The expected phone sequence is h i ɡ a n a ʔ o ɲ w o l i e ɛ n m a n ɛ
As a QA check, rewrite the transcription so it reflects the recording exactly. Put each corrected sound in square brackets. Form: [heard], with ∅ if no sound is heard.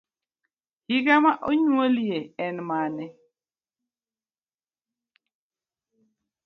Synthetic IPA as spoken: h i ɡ a [m] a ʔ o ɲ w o l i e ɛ n m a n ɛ

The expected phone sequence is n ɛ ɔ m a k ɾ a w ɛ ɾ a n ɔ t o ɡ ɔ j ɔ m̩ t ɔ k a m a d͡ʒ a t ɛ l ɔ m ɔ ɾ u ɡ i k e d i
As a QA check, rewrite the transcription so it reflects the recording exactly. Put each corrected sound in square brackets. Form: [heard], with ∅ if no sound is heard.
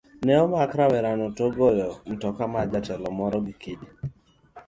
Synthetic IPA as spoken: n ɛ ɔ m a k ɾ a w ɛ ɾ a n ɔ t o ɡ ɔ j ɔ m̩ t ɔ k a m a d͡ʒ a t ɛ l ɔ m ɔ ɾ [ɔ] ɡ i k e d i

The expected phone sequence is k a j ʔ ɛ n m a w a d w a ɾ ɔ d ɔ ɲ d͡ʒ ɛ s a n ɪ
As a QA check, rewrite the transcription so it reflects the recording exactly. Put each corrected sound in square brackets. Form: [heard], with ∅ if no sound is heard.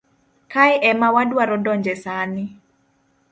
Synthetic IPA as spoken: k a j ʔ ɛ [∅] m a w a d w a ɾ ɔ d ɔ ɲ d͡ʒ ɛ s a n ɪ

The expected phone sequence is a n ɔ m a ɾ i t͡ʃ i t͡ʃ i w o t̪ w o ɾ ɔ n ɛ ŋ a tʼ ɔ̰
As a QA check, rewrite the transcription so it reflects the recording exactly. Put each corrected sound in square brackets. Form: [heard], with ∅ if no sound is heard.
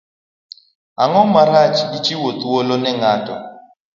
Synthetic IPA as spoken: a [ŋ] ɔ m a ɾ [a] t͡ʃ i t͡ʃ i w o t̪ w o [l] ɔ n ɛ ŋ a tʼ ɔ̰

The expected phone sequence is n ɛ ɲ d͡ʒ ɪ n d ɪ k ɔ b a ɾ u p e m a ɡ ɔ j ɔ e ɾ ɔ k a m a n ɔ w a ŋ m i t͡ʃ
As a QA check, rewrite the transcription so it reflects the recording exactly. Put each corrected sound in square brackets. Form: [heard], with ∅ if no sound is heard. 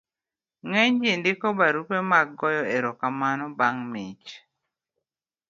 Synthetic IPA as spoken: [ŋ] ɛ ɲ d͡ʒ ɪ n d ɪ k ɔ b a ɾ u p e m a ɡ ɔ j ɔ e ɾ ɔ k a m a n ɔ [b] a ŋ m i t͡ʃ

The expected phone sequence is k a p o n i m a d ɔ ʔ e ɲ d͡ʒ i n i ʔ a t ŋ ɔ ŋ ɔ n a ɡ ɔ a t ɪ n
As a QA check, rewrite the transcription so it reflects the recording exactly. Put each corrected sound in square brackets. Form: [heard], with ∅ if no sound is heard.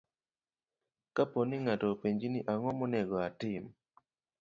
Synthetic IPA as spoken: k a p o n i [ŋ] a [t] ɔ [p] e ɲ d͡ʒ i n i ʔ a [∅] ŋ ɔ [m] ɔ n [ɛ] ɡ ɔ a t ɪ [m]

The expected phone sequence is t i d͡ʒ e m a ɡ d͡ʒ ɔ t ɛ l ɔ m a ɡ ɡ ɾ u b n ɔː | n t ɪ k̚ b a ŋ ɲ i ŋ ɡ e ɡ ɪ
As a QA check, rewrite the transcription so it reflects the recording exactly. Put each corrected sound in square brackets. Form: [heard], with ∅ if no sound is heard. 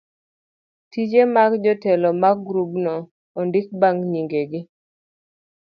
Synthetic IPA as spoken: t i d͡ʒ e m a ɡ d͡ʒ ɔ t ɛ l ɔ m a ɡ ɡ ɾ u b n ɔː | n [d] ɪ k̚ b a ŋ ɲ i ŋ ɡ e ɡ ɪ

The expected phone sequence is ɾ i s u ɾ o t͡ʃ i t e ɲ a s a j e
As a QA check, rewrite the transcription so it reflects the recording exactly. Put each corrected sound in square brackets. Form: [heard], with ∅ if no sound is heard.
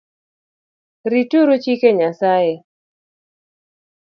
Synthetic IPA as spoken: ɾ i [t] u ɾ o t͡ʃ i [k] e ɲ a s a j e

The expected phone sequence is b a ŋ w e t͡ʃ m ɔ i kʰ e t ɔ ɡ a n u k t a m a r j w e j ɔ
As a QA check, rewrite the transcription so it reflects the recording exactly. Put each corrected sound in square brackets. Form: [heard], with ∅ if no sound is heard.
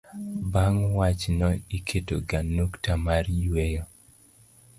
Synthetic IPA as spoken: b a ŋ w [a] t͡ʃ [n] ɔ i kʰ e t [o] ɡ a n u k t a m a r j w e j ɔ

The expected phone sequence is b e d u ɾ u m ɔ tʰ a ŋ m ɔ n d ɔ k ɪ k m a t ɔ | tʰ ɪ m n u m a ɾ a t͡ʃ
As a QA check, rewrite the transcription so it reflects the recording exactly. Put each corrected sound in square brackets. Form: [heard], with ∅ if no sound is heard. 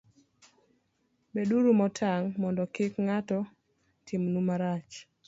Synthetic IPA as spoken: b e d u ɾ u m ɔ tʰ a ŋ m ɔ n d ɔ k ɪ k [ŋ] a t ɔ | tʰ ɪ m n u m a ɾ a t͡ʃ

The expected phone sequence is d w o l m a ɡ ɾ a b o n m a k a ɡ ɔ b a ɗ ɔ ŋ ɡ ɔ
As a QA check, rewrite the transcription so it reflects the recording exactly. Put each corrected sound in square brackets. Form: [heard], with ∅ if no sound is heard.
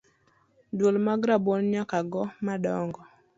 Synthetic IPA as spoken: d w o l m a ɡ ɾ a b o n [ɲ] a k a ɡ ɔ [m] a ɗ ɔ ŋ ɡ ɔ

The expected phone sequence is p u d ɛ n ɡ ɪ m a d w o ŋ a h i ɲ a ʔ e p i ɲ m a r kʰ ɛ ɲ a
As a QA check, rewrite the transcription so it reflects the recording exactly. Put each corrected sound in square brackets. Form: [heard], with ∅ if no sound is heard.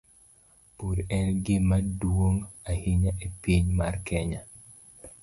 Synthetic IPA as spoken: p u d ɛ n ɡ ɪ m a d w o ŋ a h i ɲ a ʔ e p i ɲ m a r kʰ ɛ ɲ a

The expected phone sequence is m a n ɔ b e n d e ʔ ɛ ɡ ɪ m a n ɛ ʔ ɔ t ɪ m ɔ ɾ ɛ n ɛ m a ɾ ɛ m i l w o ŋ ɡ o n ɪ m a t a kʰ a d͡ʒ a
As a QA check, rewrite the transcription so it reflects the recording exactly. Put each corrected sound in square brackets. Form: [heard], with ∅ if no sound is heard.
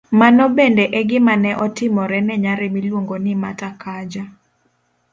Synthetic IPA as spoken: m a n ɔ b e n d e ʔ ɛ ɡ ɪ m a n ɛ ʔ ɔ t ɪ m ɔ ɾ ɛ n ɛ [ɲ] a ɾ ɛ m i l w o ŋ ɡ o n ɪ m a t a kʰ a d͡ʒ a

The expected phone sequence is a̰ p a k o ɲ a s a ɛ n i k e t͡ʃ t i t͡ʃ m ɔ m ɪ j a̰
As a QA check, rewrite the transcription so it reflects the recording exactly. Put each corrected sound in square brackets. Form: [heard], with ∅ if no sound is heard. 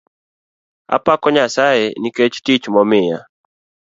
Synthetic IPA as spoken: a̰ p a k [ɔ] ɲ a s a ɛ n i k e t͡ʃ t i t͡ʃ m ɔ m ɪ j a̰

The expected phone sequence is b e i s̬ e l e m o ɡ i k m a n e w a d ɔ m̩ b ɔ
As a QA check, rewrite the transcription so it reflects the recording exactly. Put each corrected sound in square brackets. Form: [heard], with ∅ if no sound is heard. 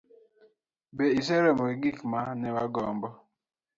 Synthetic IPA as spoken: b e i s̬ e [ɾ] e m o ɡ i k m a n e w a [ɡ] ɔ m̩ b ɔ

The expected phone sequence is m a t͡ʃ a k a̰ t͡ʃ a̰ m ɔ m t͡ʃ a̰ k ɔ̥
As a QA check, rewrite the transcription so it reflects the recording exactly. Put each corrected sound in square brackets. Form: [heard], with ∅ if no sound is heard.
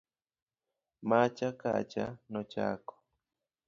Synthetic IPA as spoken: m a t͡ʃ a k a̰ t͡ʃ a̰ [n] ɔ [∅] t͡ʃ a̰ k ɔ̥

